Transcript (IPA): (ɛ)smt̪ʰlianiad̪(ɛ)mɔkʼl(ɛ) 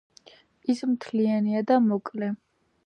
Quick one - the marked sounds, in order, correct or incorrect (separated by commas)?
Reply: incorrect, incorrect, correct